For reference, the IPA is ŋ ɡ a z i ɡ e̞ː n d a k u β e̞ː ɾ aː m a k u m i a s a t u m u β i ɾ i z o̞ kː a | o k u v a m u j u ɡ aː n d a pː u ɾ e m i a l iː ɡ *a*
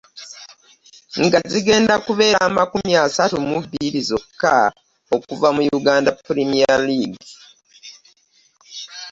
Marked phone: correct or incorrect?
incorrect: i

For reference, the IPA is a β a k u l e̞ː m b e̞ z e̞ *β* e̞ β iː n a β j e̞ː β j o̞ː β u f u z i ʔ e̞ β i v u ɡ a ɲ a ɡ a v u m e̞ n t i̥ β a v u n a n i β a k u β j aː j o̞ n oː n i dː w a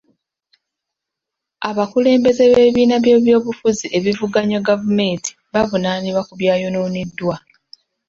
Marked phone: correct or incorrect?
correct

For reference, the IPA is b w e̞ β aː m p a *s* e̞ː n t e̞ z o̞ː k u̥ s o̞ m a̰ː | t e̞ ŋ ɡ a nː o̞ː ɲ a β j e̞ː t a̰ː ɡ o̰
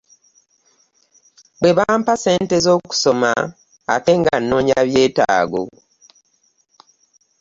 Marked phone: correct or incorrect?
correct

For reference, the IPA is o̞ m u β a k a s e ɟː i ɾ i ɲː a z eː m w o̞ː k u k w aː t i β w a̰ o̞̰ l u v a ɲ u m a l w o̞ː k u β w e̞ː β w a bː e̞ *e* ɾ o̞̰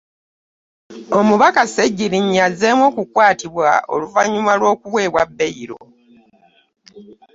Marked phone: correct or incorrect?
incorrect: i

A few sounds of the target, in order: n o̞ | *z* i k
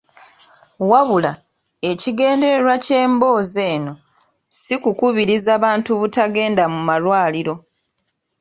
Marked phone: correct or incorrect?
incorrect: s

